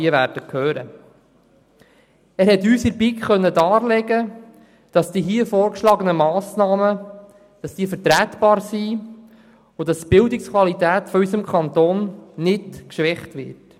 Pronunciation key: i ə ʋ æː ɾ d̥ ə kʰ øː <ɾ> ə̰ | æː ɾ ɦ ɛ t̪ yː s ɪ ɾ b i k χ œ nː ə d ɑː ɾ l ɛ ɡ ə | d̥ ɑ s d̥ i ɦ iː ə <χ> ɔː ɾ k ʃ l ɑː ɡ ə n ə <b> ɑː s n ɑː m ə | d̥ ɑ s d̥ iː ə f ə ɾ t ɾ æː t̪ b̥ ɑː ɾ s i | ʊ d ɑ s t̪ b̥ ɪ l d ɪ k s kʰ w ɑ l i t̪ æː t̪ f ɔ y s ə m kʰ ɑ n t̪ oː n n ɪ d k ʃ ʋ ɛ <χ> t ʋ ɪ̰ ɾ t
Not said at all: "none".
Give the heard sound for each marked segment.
ɾ, f, m, χ

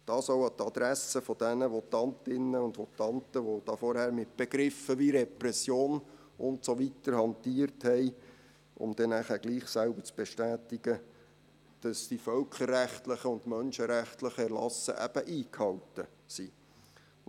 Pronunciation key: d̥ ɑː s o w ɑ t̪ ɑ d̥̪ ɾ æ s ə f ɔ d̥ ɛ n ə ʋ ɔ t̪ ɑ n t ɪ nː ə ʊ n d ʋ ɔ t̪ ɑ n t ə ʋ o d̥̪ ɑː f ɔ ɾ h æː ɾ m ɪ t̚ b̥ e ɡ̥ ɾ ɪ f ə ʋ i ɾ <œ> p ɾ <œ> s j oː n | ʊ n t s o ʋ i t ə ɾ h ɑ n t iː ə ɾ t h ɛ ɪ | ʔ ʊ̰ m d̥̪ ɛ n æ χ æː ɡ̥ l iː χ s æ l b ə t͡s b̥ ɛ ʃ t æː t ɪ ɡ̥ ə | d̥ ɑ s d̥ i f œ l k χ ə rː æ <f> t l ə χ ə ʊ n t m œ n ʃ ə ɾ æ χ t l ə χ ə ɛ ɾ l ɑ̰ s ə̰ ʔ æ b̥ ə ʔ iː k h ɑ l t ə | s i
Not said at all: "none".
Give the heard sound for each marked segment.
ɛ, ɛ, χ

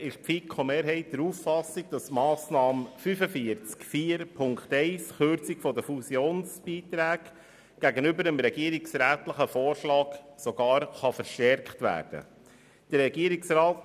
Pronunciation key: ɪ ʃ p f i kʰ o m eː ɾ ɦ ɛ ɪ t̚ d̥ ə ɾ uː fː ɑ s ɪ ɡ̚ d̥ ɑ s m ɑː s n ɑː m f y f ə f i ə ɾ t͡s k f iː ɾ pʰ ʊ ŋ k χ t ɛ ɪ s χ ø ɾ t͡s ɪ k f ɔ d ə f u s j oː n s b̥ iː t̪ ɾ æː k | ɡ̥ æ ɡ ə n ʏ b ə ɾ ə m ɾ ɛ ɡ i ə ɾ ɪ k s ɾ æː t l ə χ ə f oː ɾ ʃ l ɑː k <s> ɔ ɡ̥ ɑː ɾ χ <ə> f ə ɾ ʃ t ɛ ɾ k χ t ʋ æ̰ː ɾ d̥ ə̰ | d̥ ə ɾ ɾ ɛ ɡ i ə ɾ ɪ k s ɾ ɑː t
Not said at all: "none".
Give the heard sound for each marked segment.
s, ɑ

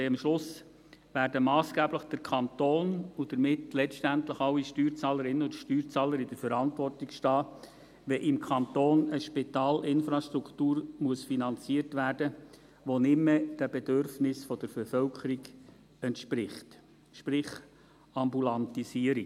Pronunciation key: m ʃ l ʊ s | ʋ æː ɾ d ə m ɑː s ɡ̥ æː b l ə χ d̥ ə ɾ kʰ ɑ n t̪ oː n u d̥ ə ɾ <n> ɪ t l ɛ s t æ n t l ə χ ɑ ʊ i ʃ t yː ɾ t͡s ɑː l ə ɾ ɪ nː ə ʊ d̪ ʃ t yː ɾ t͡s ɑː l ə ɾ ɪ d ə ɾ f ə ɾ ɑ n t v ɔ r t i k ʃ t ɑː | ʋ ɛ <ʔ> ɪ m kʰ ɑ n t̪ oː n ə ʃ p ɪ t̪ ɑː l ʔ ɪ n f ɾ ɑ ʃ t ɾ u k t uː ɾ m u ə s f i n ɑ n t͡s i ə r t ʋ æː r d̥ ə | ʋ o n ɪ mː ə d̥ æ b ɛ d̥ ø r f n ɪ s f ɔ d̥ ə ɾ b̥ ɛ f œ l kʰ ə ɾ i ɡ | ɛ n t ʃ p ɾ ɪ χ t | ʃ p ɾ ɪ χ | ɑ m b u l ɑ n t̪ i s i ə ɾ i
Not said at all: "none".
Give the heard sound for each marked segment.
m, ʔ

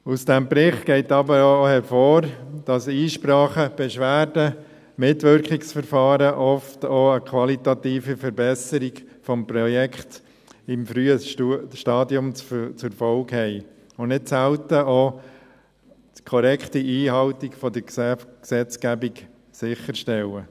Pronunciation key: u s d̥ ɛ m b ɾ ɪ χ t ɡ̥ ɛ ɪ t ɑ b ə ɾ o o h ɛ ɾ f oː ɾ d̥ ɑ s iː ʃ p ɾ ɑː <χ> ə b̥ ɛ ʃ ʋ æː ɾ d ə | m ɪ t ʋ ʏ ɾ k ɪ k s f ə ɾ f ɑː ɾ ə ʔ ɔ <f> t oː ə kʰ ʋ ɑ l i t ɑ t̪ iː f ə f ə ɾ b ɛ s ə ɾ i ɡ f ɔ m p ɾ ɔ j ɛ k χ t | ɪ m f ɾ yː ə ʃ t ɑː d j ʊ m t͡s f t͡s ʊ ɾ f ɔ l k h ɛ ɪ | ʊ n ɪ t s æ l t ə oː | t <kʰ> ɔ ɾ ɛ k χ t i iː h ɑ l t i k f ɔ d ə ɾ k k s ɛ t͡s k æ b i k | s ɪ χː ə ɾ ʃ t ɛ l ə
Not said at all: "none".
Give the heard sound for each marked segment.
χ, f, kʰ

